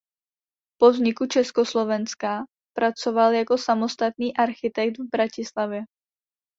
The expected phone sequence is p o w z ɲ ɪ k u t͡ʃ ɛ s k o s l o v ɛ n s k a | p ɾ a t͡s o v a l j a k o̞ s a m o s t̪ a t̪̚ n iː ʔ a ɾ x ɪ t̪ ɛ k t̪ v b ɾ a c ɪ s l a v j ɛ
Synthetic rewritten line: p o v z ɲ ɪ k u t͡ʃ ɛ s k o s l o v ɛ n s k a | p ɾ a t͡s o v a l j a k o̞ s a m o s t̪ a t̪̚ n iː ʔ a ɾ x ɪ t̪ ɛ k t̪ v b ɾ a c ɪ s l a v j ɛ

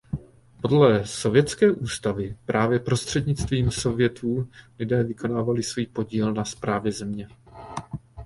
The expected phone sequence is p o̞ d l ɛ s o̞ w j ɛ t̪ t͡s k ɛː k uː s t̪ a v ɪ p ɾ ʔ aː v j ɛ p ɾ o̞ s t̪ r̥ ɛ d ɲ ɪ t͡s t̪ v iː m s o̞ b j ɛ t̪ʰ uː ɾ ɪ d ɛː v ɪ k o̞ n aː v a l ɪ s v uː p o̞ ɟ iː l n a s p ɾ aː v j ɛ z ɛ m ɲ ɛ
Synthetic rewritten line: p o̞ d l ɛ s o̞ v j ɛ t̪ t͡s k ɛː ʔ uː s t̪ a v ɪ p ɾ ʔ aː v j ɛ p ɾ o̞ s t̪ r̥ ɛ d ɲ ɪ t͡s t̪ v iː m s o̞ v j ɛ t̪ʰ uː l ɪ d ɛː v ɪ k o̞ n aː v a l ɪ s v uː p o̞ ɟ iː l n a s p ɾ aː v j ɛ z ɛ m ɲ ɛ

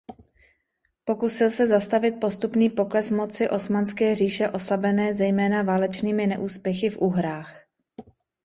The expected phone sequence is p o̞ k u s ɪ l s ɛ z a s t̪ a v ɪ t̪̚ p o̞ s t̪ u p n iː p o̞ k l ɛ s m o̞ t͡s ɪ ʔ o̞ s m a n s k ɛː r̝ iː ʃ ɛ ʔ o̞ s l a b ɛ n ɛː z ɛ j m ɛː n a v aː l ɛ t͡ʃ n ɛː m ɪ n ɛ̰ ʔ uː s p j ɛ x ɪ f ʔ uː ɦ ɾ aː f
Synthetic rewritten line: p o̞ k u s ɪ l s ɛ z a s t̪ a v ɪ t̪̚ p o̞ s t̪ u p n iː p o̞ k l ɛ s m o̞ t͡s ɪ ʔ o̞ s m a n s k ɛː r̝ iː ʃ ɛ ʔ o̞ s l a b ɛ n ɛː z ɛ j m ɛː n a v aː l ɛ t͡ʃ n iː m ɪ n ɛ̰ ʔ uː s p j ɛ x ɪ f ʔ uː ɦ ɾ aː x

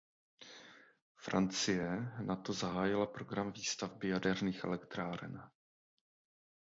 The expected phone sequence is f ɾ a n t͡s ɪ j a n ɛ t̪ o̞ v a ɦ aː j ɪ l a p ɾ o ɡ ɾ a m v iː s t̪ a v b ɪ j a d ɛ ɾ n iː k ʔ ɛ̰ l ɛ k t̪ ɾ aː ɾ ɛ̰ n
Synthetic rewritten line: f ɾ a n t͡s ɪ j ɛ n a t̪ o̞ z a ɦ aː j ɪ l a p ɾ o ɡ ɾ a m v iː s t̪ a v b ɪ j a d ɛ ɾ n iː x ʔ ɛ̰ l ɛ k t̪ ɾ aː ɾ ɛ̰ n

